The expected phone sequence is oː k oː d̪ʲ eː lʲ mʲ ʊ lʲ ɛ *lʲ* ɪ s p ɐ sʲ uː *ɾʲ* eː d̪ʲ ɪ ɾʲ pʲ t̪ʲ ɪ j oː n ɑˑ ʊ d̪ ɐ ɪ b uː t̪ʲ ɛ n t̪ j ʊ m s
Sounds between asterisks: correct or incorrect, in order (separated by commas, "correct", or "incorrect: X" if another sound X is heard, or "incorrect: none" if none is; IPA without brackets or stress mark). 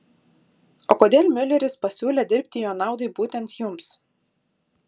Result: incorrect: ɾʲ, incorrect: lʲ